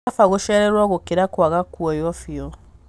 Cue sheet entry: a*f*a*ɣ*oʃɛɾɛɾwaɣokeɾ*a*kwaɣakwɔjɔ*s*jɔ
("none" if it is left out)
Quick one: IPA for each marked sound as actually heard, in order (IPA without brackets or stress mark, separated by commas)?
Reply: f, ɣ, a, f